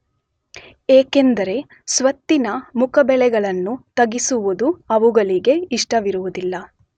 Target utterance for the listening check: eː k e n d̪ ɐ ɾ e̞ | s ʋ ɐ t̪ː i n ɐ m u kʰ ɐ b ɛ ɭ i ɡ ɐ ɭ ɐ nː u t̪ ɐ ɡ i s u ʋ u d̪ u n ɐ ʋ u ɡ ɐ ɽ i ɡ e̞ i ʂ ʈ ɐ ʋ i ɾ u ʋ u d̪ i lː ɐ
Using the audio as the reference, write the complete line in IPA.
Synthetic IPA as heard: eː k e n d̪ ɐ ɾ e̞ | s ʋ ɐ t̪ː i n ɐ m u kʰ ɐ b ɛ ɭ ɛ ɡ ɐ ɭ ɐ nː u t̪ ɐ ɡ i s u ʋ u d̪ u ɐ ʋ u ɡ ɐ ɭ i ɡ e̞ i ʂ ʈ ɐ ʋ i ɾ u ʋ u d̪ i lː ɐ